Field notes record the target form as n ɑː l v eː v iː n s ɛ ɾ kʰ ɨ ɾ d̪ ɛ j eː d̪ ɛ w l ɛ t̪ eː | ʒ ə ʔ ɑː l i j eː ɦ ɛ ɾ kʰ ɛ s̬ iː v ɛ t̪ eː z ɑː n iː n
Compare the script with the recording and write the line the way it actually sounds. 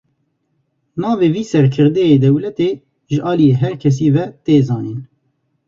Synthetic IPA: n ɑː v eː v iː s ɛ ɾ kʰ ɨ ɾ d̪ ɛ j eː d̪ ɛ w l ɛ t̪ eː | ʒ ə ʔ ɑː l i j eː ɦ ɛ ɾ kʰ ɛ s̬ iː v ɛ t̪ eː z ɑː n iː n